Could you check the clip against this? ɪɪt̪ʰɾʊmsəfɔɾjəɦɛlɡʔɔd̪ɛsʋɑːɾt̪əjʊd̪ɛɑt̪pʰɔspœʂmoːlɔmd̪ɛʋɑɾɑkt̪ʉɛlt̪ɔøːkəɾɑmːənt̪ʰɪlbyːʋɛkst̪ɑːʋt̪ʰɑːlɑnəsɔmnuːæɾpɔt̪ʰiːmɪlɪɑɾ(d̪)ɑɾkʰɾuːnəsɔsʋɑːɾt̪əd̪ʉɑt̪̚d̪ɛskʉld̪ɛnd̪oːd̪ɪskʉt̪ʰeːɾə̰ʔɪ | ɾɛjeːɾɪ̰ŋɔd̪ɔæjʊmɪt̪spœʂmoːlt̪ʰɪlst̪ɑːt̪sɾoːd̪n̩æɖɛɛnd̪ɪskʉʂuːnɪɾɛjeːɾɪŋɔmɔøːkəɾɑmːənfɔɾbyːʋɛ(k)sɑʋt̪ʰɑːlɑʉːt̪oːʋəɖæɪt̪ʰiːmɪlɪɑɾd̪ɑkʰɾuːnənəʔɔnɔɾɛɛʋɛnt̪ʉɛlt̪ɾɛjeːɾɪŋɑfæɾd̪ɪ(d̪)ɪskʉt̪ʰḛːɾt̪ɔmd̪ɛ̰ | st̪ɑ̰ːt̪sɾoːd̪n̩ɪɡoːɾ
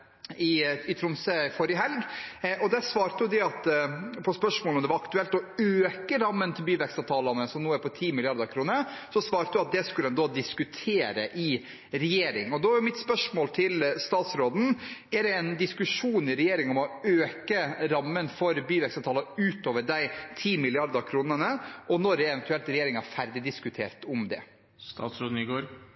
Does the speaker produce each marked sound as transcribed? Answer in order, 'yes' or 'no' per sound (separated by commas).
yes, yes, yes